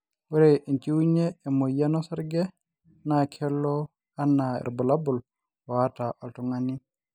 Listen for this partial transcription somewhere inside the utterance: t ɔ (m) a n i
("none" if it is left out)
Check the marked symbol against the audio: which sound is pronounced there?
ŋ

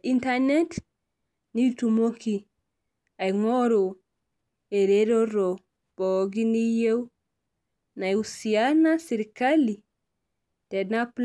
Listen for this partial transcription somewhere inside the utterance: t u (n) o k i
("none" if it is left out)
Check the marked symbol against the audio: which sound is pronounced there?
m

